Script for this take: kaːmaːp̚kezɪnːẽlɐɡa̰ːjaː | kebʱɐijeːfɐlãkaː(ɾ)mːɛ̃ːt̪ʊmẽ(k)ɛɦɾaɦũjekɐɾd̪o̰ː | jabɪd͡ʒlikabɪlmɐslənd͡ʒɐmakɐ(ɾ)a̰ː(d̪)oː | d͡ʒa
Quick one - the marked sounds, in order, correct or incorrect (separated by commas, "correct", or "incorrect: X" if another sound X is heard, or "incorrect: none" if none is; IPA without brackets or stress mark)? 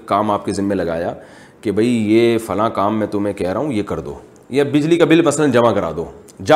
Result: incorrect: none, correct, correct, correct